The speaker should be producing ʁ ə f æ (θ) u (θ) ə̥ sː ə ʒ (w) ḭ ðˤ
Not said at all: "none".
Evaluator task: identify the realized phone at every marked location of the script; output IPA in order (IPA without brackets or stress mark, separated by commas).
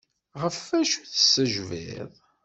ʃ, θ, v